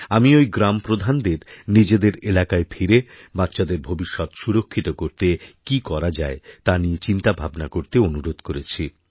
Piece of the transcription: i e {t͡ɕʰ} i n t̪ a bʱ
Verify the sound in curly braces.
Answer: incorrect: t͡ɕ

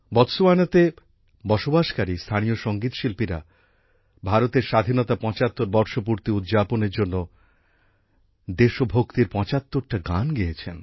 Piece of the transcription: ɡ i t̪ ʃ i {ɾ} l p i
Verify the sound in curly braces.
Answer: incorrect: none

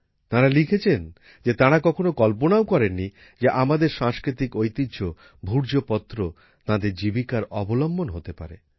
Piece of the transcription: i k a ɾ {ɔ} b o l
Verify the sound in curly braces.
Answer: correct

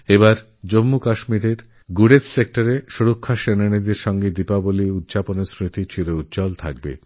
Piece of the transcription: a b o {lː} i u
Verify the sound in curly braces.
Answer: incorrect: l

